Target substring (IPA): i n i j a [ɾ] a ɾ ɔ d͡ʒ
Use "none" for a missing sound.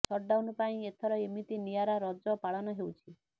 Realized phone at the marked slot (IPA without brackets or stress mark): ɾ